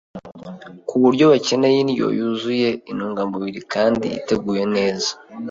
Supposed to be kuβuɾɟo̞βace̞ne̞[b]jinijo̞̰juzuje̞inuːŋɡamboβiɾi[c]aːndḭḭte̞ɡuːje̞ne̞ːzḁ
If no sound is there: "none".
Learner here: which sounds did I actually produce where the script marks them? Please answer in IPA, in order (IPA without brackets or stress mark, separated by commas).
none, k